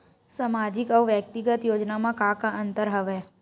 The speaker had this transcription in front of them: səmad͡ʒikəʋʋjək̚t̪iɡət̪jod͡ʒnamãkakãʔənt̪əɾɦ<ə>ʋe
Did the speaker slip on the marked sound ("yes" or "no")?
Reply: no